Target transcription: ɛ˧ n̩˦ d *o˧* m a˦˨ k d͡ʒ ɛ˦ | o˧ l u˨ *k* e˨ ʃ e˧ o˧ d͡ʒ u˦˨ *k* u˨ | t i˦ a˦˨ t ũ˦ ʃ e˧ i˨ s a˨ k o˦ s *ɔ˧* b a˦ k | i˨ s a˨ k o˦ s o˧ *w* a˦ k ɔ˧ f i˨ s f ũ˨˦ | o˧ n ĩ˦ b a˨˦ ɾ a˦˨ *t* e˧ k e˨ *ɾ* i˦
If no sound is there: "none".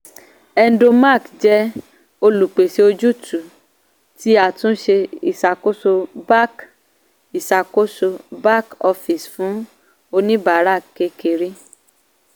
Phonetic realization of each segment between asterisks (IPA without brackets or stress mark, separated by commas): o˧, k͡p, t, o˧, b, k, ɾ